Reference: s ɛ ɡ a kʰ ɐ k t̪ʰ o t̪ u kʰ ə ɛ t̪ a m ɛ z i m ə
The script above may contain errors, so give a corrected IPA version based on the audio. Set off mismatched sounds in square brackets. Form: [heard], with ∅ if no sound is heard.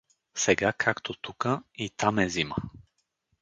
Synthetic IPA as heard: s ɛ ɡ a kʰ [a] k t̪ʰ o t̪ u [k] ə [i] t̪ a m ɛ z i m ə